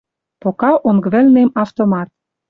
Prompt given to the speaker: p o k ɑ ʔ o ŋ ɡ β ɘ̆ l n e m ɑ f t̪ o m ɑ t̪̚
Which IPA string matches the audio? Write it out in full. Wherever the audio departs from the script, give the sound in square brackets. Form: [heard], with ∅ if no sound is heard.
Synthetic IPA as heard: p o k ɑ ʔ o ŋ ɡ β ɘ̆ l n e m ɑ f t̪ o m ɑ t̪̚